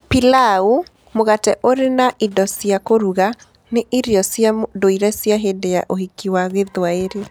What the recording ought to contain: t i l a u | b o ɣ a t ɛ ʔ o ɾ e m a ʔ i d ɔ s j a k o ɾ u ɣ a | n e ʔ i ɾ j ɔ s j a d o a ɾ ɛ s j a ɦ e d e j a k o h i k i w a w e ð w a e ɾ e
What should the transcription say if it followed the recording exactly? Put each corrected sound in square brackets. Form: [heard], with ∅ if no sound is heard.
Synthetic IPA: [p] i l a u | [m] o ɣ a t ɛ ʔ o ɾ e [n] a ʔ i d ɔ s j a k o ɾ u ɣ a | n e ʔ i ɾ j ɔ s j a d o [i] ɾ ɛ s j a ɦ e d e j a [ʔ] o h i k i w a [ɣ] e ð w a e ɾ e